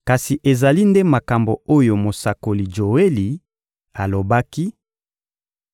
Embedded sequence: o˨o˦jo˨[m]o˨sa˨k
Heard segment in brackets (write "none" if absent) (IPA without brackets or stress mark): m